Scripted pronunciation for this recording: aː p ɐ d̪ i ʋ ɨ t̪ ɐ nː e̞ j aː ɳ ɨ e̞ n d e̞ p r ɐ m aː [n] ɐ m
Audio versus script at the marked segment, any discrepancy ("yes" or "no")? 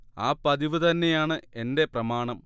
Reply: yes